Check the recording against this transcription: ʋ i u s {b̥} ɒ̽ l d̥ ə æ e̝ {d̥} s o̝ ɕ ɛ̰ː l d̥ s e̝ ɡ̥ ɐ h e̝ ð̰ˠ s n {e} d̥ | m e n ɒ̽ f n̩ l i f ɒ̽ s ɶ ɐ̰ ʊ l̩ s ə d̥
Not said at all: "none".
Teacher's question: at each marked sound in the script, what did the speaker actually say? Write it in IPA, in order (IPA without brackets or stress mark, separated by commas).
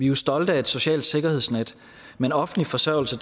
d̥, d̥, e